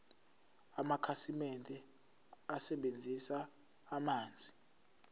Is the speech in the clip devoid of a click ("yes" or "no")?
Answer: yes